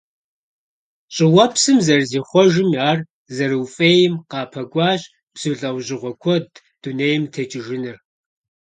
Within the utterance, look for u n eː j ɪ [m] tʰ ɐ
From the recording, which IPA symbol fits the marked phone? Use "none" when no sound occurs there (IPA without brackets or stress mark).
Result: m